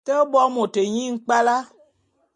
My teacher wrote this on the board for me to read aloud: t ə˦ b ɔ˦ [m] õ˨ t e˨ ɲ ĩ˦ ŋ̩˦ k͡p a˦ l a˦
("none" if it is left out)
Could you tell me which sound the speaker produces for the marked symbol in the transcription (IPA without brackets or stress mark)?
m